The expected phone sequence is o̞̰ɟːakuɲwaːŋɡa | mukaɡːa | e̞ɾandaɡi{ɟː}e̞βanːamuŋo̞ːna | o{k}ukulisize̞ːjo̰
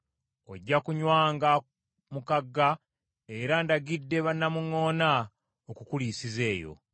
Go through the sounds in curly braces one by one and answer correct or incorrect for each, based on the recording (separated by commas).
incorrect, correct